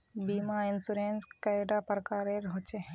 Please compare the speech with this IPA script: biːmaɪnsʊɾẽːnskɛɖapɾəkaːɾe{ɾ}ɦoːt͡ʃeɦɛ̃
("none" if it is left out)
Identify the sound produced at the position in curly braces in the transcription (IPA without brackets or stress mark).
ɾ